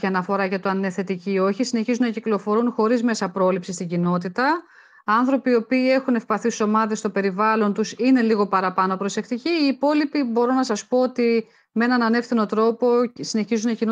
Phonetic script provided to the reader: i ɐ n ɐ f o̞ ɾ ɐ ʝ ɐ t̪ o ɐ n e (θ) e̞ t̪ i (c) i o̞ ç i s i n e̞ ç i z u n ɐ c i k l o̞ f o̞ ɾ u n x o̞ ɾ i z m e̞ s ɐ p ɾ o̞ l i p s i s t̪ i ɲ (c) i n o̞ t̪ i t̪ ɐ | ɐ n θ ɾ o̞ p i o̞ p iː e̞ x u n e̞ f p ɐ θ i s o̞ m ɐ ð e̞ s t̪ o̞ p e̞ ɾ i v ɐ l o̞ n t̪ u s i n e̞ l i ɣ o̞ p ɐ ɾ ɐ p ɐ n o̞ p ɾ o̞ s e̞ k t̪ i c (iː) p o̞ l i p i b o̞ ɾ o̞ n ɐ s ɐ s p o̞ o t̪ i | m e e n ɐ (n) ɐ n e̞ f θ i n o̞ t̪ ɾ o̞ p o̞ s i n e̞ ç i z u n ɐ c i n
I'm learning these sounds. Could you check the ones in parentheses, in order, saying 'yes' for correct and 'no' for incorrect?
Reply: yes, yes, no, yes, yes

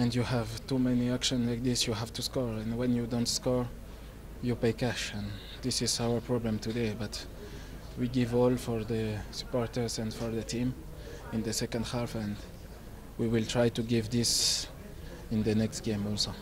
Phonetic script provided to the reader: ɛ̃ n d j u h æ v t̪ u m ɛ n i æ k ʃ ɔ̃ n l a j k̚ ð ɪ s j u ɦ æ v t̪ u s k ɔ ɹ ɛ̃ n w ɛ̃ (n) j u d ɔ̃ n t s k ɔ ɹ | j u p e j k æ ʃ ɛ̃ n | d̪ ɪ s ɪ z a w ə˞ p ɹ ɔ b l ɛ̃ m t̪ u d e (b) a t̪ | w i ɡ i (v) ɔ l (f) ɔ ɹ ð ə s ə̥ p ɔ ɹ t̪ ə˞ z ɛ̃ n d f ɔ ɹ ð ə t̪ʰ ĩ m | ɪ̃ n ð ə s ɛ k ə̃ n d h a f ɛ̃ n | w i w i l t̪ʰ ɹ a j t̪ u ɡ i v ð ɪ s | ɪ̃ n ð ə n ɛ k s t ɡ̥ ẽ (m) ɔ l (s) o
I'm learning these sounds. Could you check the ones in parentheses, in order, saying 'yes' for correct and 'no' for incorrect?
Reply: yes, yes, yes, yes, yes, yes

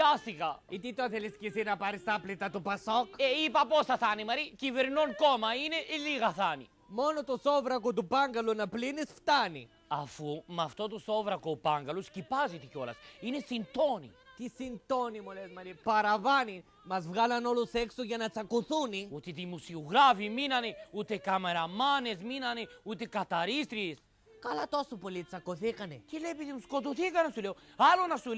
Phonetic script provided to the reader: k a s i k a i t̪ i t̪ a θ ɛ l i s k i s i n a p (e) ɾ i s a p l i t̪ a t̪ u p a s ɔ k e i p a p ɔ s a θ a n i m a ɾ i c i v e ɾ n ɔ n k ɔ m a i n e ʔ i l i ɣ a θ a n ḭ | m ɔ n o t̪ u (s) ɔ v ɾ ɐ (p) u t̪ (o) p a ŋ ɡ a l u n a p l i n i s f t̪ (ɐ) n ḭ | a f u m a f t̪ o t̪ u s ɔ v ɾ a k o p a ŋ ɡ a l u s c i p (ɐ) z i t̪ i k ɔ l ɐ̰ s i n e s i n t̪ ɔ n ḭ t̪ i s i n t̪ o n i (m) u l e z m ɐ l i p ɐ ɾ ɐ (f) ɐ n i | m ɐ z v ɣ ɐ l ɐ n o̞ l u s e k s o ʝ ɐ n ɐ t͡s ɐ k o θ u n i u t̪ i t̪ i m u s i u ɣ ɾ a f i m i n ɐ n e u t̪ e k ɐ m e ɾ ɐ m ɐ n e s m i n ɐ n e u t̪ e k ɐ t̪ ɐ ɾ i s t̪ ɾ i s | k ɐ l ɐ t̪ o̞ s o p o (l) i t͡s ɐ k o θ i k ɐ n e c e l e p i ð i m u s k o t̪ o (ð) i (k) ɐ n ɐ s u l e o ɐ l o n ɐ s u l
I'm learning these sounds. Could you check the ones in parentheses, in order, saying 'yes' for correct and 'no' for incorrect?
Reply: no, yes, no, no, no, no, yes, no, yes, no, yes

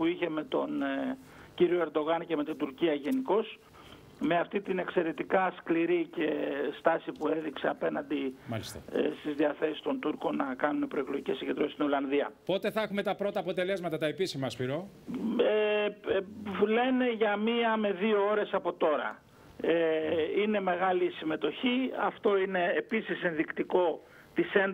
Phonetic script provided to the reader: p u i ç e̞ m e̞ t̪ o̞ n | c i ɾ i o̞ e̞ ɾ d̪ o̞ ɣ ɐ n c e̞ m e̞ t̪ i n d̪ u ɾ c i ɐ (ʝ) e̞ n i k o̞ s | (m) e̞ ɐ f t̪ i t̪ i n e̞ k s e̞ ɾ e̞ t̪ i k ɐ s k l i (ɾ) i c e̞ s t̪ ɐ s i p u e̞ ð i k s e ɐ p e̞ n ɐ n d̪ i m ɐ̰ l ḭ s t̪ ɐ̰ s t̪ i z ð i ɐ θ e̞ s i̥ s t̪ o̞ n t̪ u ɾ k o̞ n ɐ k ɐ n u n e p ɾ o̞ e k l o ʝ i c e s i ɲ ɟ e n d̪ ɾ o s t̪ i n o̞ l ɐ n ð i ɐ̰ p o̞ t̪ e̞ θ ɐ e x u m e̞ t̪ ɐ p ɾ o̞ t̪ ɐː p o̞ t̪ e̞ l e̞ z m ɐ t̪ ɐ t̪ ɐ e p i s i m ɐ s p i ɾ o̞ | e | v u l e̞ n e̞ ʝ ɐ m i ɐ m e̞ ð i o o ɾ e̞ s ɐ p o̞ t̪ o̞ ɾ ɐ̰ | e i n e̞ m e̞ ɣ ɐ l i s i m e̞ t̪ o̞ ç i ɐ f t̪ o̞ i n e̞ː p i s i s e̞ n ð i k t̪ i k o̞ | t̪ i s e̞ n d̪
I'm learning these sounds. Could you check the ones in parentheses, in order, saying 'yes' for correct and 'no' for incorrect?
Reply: yes, yes, yes

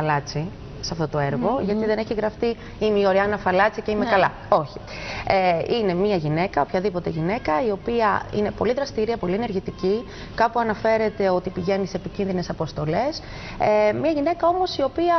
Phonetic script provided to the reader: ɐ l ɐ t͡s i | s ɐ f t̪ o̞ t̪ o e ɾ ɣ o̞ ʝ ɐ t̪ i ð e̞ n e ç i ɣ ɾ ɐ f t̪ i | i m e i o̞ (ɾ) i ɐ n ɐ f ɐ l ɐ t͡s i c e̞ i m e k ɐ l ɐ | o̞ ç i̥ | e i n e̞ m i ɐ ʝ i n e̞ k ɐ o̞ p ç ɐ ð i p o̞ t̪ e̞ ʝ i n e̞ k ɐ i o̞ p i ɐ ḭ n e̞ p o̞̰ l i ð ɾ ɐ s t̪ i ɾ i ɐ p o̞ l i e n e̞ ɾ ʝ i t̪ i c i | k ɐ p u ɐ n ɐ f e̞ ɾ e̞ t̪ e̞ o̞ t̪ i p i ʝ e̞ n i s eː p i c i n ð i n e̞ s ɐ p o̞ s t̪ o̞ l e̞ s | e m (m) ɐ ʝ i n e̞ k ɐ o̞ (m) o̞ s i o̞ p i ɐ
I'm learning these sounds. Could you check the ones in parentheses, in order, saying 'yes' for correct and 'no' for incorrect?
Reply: yes, no, yes

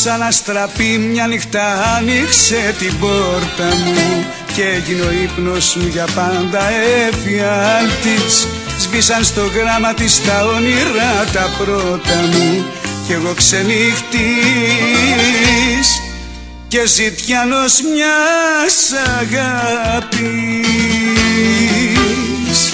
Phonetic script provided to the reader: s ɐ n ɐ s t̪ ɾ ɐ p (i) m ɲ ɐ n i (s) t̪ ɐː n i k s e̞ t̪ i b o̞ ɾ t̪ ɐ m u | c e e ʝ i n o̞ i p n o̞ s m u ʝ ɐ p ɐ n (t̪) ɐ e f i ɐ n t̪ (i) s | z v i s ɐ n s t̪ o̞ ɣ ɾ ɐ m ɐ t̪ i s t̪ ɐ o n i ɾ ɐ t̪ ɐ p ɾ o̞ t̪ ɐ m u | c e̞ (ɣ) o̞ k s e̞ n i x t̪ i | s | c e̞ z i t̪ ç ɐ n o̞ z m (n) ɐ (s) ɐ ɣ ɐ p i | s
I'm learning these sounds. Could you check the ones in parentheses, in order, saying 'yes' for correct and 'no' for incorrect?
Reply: yes, no, no, yes, yes, no, yes

